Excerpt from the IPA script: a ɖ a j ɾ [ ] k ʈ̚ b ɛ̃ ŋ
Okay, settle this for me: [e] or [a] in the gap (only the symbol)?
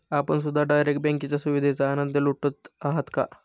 e